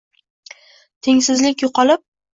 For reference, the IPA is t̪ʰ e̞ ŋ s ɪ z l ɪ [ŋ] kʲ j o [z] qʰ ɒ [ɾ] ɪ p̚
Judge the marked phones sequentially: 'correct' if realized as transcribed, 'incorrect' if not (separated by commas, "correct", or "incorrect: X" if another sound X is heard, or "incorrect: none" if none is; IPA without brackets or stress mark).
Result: incorrect: none, incorrect: none, incorrect: l